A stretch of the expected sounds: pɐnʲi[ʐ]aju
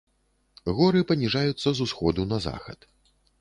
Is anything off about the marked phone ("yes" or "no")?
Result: no